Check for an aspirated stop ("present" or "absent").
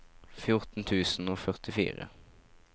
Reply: present